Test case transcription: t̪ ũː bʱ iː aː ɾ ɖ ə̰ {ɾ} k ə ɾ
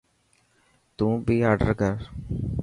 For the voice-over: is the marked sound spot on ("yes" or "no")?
yes